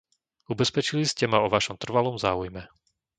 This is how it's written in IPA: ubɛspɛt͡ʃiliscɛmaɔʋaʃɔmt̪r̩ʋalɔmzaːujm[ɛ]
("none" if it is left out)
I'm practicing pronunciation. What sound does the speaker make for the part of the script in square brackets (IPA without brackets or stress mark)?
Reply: ɛ